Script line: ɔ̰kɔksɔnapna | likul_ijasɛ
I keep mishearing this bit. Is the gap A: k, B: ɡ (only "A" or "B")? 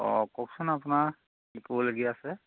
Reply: B